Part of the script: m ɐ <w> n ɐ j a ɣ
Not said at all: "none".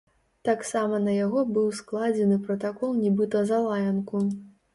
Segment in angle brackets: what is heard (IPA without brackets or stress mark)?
none